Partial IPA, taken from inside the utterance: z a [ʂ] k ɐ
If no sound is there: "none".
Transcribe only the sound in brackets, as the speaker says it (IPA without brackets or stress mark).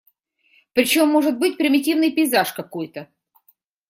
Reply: ʂ